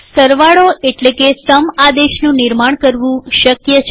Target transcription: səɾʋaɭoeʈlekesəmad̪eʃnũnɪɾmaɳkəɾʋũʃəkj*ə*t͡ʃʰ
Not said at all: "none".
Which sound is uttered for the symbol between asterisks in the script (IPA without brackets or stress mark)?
ə